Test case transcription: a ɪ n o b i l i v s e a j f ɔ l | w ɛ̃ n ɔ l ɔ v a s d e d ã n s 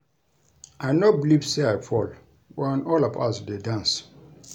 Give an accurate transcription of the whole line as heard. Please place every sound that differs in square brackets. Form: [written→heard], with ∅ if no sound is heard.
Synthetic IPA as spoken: a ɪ n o b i l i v s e a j f ɔ l | w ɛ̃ n ɔ l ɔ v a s d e d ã n s